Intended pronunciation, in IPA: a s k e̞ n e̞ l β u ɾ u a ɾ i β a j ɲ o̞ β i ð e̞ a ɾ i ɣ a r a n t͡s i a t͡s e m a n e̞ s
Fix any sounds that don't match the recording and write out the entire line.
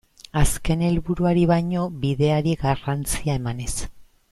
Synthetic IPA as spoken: a s k e̞ n e̞ l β u ɾ u a ɾ i β a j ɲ o̞ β i ð e̞ a ɾ i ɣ a r a n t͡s i a e m a n e̞ s